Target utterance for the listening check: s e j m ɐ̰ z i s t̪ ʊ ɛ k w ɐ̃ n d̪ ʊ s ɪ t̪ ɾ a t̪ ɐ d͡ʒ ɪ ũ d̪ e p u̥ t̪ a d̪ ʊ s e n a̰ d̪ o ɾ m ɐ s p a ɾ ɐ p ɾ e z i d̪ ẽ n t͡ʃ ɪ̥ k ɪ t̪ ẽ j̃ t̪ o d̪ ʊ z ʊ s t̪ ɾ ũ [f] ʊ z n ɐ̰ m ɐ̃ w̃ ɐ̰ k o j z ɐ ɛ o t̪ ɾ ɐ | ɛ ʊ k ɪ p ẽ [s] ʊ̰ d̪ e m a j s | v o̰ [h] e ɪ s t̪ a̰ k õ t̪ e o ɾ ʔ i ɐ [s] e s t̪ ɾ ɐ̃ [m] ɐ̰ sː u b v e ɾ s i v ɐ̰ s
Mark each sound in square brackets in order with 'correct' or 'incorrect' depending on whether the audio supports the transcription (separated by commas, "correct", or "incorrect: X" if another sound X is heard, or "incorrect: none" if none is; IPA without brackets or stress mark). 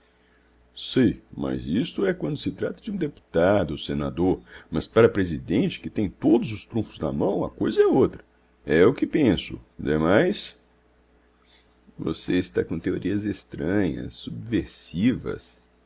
correct, correct, incorrect: s, incorrect: z, incorrect: ɲ